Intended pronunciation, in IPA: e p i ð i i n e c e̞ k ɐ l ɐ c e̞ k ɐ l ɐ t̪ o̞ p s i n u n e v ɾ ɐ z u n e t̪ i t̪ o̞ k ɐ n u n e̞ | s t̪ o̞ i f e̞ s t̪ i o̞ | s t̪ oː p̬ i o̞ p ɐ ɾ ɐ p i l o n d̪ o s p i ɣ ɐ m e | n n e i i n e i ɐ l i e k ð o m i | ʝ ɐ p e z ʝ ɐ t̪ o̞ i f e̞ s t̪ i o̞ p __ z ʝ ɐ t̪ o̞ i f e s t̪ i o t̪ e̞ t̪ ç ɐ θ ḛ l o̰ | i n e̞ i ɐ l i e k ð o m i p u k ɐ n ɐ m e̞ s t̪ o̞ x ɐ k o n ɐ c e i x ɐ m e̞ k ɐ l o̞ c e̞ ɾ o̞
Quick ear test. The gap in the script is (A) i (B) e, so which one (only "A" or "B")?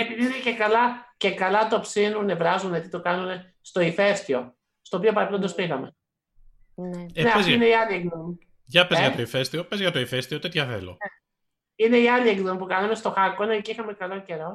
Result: B